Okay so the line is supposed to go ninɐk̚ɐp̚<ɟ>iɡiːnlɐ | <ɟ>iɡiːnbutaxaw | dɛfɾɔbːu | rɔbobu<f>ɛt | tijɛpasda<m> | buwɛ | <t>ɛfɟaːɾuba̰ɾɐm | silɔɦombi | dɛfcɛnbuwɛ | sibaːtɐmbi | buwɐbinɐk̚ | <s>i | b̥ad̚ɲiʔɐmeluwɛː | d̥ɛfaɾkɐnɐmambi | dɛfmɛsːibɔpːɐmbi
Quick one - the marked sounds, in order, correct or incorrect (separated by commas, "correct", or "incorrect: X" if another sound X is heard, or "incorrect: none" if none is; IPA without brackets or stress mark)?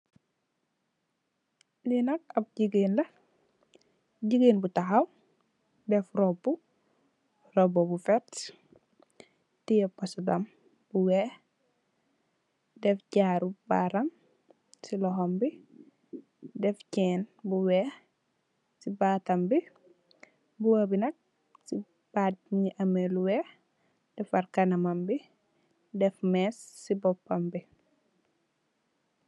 correct, correct, correct, correct, incorrect: d, correct